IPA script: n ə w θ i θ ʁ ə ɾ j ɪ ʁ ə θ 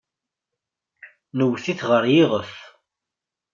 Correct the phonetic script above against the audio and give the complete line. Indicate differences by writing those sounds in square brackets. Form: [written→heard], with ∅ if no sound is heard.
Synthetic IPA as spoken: n ə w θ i θ ʁ ə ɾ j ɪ ʁ ə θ